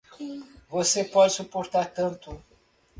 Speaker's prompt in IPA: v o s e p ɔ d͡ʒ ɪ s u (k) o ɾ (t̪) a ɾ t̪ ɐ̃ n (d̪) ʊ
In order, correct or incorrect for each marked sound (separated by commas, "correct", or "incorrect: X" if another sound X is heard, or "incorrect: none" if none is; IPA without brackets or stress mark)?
incorrect: p, correct, incorrect: t̪